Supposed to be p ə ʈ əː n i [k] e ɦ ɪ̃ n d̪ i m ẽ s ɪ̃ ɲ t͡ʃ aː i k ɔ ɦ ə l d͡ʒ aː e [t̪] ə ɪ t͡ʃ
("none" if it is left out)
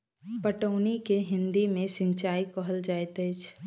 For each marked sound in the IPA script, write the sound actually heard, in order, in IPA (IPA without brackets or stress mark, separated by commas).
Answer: k, t̪